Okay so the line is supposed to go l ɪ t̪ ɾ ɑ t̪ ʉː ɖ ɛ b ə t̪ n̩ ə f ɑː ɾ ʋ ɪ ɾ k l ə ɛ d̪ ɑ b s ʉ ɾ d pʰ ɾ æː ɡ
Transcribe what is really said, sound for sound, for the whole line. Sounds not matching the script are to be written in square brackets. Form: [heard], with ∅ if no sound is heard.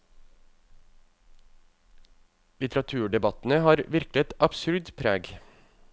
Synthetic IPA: l ɪ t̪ ɾ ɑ [t̪ʰ] ʉː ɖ ɛ b [ɑ] t̪ n̩ ə [h] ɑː ɾ ʋ ɪ ɾ k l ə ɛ [t̪] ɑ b s ʉ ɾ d pʰ ɾ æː ɡ